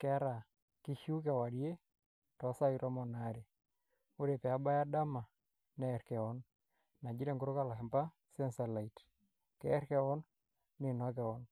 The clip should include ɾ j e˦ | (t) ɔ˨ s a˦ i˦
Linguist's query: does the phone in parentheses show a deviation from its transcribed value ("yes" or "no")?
no